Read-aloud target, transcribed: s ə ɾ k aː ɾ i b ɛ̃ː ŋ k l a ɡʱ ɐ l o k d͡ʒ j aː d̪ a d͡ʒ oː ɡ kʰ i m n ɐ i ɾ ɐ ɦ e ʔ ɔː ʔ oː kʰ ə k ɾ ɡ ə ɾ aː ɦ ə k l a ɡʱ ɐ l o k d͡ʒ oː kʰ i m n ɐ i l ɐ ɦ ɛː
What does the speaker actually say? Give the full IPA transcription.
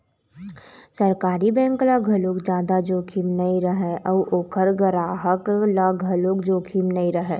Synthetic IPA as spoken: s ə ɾ k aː ɾ i b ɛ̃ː ŋ k l a ɡʱ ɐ l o k d͡ʒ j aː d̪ a d͡ʒ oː kʰ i m n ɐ i ɾ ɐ ɦ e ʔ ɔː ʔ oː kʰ ə ɾ ɡ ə ɾ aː ɦ ə k l a ɡʱ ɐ l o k d͡ʒ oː kʰ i m n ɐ i ɾ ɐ ɦ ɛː